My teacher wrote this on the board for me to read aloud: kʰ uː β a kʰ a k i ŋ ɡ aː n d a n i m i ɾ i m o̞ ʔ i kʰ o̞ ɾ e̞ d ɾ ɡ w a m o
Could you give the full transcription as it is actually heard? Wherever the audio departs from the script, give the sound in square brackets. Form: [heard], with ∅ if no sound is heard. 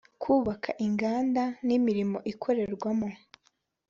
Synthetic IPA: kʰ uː β a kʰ a [ʔ] i ŋ ɡ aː n d a n i m i ɾ i m o̞ ʔ i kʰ o̞ ɾ e̞ [∅] ɾ ɡ w a m o